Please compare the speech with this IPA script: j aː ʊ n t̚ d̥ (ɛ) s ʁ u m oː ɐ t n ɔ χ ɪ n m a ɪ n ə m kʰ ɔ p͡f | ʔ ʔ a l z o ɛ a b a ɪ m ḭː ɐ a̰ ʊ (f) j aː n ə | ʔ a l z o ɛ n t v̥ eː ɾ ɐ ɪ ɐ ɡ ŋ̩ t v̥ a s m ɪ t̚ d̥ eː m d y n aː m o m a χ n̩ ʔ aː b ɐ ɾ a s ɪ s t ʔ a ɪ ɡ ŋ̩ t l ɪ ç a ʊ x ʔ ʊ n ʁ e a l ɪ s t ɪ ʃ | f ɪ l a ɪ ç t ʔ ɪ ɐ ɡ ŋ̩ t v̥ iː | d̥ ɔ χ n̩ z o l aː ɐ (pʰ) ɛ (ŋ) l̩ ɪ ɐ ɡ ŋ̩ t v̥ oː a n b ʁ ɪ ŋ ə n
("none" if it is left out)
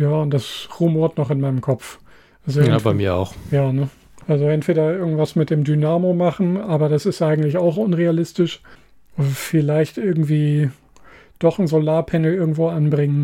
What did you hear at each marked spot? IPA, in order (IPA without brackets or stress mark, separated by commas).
a, x, pʰ, n